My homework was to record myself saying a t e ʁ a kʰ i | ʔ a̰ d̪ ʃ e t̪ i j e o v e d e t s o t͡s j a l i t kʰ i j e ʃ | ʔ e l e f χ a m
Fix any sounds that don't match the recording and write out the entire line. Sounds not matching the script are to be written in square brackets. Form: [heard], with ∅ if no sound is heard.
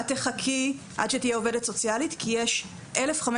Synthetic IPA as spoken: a t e [χ] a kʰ i | ʔ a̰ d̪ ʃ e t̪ i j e o v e d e t s o t͡s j a l i t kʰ i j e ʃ | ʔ e l e f χ a m

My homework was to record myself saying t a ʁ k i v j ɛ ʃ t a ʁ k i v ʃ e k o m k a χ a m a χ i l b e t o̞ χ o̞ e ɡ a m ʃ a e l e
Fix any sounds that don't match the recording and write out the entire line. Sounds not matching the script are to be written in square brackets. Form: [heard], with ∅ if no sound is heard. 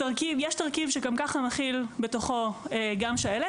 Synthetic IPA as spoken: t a ʁ k i v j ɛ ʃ t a ʁ k i v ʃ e k o m k a χ a m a χ i l b e t o̞ χ o̞ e ɡ a m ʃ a e l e

